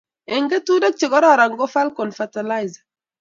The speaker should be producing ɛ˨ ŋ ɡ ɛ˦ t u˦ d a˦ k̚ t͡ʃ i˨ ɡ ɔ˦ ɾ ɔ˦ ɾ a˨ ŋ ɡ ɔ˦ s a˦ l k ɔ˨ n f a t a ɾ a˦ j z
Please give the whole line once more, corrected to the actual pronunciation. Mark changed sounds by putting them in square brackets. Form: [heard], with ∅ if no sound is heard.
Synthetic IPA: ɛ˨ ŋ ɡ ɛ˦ t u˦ d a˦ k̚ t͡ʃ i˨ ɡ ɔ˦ ɾ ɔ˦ ɾ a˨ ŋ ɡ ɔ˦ [f] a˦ l k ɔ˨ n f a t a [l] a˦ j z